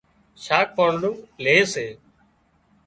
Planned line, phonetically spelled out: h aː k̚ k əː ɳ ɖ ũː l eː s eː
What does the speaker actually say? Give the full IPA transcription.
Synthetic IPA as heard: ʃ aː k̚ p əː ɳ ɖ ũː l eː s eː